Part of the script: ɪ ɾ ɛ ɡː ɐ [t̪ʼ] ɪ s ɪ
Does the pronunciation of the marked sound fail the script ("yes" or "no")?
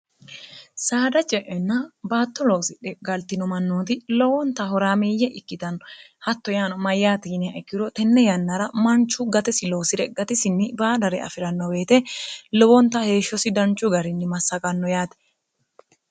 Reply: yes